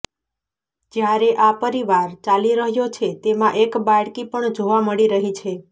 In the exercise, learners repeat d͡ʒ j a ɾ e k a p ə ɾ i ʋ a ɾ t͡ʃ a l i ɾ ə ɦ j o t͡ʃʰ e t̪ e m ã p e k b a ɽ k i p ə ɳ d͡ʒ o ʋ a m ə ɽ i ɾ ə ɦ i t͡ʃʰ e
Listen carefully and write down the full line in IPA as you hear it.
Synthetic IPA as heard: d͡ʒ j a ɾ e ʔ a p ə ɾ i ʋ a ɾ t͡ʃ a l i ɾ ə ɦ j o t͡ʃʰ e t̪ e m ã ʔ e k b a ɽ k i p ə ɳ d͡ʒ o ʋ a m ə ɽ i ɾ ə ɦ i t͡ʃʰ e